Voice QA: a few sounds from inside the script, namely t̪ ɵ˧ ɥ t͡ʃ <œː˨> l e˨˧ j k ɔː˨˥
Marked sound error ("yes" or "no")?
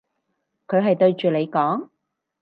yes